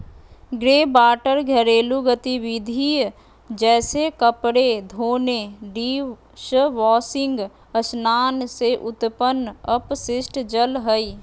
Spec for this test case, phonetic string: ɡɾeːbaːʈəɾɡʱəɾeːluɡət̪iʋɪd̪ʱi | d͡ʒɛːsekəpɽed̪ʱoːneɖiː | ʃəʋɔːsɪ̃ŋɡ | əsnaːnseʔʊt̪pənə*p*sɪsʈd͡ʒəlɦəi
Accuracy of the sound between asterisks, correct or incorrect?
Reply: correct